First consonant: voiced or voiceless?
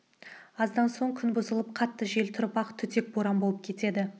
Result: voiced